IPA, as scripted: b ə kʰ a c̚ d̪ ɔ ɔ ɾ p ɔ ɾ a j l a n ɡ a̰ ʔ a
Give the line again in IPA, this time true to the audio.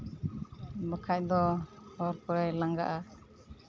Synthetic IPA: b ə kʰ a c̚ d̪ ɔ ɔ ɾ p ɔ ɾ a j l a ŋ ɡ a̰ ʔ a